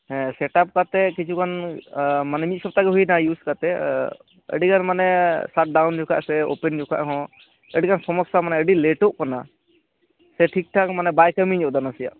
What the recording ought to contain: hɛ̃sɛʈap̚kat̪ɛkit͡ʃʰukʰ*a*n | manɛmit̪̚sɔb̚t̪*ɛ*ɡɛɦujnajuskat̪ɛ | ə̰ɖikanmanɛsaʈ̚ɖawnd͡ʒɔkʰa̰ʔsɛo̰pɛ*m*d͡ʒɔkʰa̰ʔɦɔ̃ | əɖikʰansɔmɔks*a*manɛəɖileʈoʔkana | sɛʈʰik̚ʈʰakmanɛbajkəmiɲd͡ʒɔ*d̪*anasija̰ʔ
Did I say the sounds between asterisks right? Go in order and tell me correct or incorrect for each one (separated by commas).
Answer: correct, incorrect, incorrect, correct, correct